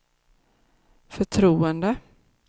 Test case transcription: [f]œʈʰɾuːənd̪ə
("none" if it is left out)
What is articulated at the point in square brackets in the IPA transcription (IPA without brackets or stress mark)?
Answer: f